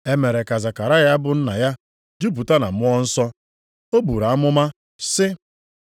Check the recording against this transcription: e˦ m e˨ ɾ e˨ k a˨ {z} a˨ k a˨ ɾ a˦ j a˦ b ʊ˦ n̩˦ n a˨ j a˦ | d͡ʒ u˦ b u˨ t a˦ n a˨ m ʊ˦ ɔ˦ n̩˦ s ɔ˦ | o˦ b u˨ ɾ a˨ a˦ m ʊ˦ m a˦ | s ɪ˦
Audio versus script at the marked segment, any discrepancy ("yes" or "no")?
no